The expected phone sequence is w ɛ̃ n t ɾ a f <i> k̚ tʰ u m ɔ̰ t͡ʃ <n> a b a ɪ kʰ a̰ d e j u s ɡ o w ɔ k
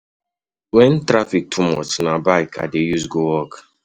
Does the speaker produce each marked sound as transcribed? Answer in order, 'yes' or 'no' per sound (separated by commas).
yes, yes